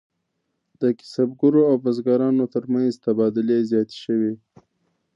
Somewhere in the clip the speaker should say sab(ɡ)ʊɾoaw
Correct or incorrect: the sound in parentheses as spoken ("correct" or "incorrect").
correct